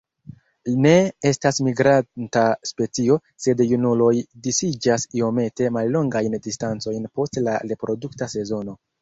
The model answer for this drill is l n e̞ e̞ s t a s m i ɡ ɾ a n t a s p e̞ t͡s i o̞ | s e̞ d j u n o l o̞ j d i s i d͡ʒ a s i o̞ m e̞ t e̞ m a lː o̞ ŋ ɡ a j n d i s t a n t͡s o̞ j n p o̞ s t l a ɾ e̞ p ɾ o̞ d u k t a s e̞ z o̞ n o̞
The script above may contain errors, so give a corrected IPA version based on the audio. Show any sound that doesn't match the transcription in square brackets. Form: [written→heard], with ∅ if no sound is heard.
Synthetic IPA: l n e̞ e̞ s t a s m i ɡ ɾ a n t a s p e̞ t͡s i o̞ | s e̞ d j u n [o→u] l o̞ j d i s i d͡ʒ a s i o̞ m e̞ t e̞ m a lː o̞ ŋ ɡ a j n d i s t a n t͡s o̞ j n p o̞ s t l a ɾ e̞ p ɾ o̞ d u k t a s e̞ z o̞ n o̞